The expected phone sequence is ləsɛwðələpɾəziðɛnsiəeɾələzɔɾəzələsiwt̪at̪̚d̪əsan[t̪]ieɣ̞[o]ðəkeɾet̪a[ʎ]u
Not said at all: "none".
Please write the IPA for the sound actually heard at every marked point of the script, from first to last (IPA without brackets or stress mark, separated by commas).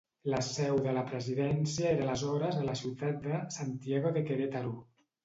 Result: t̪, o, ɾ